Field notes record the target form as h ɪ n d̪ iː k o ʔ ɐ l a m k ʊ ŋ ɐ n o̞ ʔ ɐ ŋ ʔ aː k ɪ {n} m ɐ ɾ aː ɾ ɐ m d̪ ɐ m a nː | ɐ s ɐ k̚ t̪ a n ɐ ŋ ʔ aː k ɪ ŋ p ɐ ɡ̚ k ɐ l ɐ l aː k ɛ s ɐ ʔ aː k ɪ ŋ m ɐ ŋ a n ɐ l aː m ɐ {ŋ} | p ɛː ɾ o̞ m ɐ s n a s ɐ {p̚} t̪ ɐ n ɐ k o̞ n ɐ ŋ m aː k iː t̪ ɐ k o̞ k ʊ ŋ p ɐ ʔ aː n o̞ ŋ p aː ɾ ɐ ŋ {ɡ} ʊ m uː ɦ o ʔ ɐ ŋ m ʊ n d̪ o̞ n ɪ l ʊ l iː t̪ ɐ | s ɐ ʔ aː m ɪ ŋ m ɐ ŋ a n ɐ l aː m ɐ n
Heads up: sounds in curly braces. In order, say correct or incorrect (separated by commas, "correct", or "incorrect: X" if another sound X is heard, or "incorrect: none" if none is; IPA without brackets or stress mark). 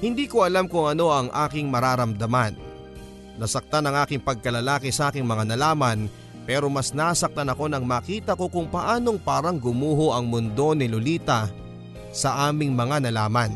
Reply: incorrect: ŋ, incorrect: n, incorrect: k̚, correct